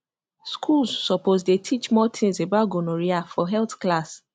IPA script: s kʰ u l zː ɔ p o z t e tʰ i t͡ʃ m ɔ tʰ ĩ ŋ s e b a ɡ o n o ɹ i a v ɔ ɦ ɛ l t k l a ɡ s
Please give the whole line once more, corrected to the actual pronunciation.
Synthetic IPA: s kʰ u l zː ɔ p o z d e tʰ i t͡ʃ m ɔ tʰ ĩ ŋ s e b a ɡ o n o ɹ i a f ɔ ɦ ɛ l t k l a s